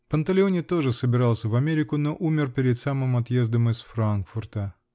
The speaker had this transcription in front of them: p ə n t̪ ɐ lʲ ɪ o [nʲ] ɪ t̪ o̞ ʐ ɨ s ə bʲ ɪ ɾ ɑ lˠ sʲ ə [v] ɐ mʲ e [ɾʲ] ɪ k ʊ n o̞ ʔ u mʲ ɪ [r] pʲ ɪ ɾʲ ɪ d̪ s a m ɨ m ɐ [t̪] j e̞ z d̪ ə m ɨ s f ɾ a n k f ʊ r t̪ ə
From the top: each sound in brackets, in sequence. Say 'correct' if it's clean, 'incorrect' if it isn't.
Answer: correct, correct, correct, correct, correct

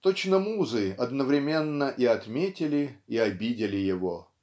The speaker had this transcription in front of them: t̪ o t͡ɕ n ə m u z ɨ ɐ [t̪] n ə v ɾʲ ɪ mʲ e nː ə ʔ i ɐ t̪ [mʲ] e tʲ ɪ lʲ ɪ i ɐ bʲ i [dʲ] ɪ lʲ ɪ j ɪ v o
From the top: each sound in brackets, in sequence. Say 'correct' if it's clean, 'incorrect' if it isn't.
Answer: incorrect: d̪, correct, correct

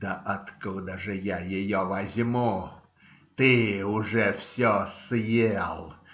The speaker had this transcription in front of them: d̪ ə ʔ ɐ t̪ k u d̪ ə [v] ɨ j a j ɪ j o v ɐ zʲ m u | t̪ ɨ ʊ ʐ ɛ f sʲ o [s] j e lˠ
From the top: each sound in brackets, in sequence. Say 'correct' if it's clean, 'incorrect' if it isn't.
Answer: incorrect: ʐ, correct

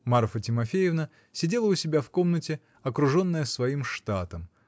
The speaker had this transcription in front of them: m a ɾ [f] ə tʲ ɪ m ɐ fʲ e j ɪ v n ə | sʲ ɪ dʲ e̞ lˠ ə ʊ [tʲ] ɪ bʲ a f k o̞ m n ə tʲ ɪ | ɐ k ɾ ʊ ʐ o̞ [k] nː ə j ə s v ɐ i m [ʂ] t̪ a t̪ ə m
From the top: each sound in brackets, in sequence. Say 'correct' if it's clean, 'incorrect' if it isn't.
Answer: correct, incorrect: sʲ, incorrect: none, correct

